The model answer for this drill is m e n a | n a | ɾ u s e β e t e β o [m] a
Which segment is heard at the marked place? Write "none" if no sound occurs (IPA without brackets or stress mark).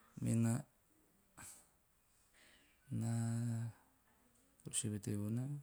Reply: n